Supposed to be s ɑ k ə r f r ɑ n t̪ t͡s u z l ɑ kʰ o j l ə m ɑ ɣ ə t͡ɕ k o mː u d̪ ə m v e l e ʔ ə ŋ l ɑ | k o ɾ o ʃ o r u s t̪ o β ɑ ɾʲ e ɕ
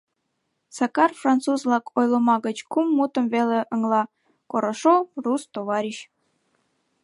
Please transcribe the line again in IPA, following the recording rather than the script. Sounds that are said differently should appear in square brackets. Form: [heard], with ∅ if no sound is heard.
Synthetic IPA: s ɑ k [ɑ] r f r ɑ n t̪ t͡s u z l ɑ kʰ o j l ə m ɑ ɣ ə t͡ɕ k [u] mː u [t̪] ə m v e l e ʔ ə ŋ l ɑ | k o ɾ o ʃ o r u s t̪ o β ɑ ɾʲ [i] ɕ